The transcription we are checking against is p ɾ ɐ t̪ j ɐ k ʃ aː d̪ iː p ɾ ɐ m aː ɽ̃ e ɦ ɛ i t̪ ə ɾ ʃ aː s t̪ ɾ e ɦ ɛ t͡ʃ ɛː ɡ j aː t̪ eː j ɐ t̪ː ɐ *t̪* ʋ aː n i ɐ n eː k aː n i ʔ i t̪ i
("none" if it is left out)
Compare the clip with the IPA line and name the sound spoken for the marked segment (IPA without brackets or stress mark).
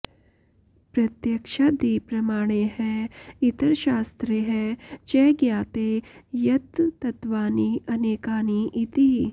t̪